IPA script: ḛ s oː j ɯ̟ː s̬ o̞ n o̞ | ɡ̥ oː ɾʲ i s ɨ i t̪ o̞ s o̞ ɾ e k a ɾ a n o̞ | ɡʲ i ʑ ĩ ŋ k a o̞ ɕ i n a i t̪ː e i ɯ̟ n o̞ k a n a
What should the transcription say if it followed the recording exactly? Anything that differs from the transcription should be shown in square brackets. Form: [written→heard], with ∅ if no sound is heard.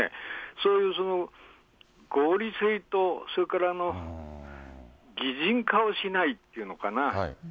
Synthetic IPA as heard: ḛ s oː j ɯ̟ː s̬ o̞ n o̞ | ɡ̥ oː ɾʲ i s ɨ i t̪ o̞ s o̞ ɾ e k a ɾ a n o̞ | ɡʲ i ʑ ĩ ŋ k a o̞ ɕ i n a i t̪ː e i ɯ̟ n o̞ k a n a